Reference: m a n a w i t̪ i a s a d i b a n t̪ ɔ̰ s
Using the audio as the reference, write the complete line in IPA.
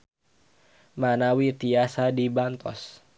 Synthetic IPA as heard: m a n a w i t̪ i a s a d i b a n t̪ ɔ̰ s